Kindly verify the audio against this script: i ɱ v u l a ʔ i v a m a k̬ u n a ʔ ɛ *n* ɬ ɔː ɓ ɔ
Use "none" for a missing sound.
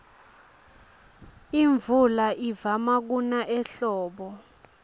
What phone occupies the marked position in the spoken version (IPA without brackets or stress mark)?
none